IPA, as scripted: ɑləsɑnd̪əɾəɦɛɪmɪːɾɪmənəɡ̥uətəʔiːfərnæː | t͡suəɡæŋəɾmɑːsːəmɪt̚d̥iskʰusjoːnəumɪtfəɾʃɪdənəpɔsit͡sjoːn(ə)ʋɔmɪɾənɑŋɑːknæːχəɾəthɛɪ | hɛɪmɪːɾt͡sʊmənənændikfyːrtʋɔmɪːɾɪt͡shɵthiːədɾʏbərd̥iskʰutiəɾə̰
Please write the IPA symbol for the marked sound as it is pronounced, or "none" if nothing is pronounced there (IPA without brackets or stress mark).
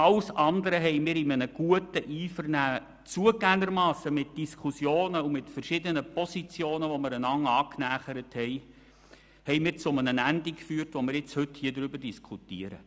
ə